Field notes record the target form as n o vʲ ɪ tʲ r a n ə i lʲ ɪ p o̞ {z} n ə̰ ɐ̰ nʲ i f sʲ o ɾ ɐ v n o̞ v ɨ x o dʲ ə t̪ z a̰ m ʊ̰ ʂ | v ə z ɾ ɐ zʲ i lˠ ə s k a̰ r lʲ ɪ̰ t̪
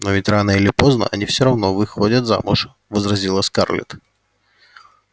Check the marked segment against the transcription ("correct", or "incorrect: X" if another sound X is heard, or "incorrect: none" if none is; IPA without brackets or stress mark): correct